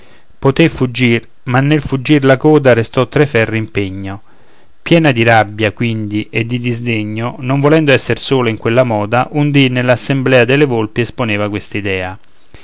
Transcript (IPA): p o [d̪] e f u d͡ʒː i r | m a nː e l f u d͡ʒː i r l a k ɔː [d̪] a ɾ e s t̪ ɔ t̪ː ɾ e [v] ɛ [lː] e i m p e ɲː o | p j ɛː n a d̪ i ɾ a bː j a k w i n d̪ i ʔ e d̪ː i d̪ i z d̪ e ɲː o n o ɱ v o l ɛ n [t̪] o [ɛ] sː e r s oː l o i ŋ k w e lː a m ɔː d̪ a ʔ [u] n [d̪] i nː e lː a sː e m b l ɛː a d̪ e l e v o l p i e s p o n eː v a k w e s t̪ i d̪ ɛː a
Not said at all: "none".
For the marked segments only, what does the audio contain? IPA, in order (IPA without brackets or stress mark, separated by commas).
t̪, d̪, f, rː, d̪, ɛ, u, d̪